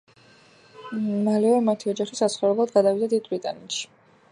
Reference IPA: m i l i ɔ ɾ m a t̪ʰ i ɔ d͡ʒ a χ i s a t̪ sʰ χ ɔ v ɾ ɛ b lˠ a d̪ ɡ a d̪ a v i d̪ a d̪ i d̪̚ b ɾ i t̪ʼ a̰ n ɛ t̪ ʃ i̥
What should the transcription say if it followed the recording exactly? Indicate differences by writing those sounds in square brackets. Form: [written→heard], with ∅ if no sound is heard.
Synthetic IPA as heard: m [i→a] l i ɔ ɾ m a t̪ʰ i ɔ d͡ʒ a χ i s a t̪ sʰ χ ɔ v ɾ ɛ b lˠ a d̪ ɡ a d̪ a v i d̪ a d̪ i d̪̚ b ɾ i t̪ʼ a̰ n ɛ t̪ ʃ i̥